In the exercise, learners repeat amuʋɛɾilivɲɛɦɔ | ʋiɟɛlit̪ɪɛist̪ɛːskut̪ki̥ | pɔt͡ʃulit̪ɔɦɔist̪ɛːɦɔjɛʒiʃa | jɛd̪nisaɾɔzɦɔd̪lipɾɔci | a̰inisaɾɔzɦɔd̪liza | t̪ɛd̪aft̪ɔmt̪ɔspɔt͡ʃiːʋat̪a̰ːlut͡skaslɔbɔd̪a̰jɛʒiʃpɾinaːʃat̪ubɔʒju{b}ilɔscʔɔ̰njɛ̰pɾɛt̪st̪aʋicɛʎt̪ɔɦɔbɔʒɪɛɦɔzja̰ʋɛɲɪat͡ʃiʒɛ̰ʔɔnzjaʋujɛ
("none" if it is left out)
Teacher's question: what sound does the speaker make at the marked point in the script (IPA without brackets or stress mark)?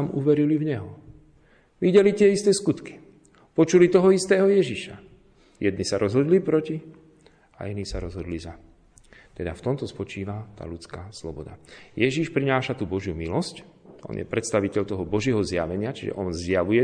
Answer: m